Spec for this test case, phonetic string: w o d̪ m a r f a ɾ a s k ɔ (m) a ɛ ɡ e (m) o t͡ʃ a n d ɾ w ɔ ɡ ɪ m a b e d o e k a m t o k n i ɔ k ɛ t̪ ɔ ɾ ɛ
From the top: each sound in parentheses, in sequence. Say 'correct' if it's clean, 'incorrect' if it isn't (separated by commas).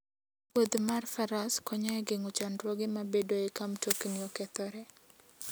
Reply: incorrect, incorrect